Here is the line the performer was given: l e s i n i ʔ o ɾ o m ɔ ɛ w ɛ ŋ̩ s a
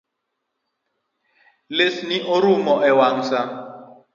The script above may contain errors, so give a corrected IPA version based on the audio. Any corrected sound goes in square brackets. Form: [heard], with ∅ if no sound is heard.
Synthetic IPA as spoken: l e s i n i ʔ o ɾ [u] m ɔ ɛ w [a] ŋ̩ s a